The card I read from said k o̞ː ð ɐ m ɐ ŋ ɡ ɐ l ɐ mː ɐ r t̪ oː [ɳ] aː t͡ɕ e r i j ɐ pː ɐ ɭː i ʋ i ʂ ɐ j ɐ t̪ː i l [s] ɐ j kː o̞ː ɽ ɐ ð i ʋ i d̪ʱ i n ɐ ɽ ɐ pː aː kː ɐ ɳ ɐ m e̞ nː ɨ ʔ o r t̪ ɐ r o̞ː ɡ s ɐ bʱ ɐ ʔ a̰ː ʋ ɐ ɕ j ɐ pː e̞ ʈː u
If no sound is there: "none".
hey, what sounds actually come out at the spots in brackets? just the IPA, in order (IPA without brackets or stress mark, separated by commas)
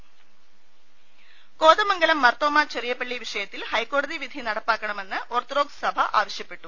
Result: m, h